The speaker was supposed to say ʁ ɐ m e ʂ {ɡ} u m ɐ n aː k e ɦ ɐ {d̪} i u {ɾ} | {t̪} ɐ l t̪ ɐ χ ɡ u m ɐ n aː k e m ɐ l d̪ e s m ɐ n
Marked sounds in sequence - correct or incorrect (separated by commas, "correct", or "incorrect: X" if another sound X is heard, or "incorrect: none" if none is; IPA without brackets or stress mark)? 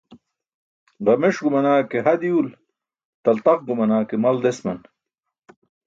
correct, correct, incorrect: l, correct